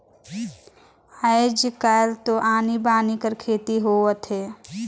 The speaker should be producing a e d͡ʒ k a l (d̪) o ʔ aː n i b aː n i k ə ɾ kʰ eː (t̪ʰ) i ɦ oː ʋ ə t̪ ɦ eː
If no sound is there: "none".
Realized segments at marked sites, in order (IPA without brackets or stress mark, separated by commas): t̪, t̪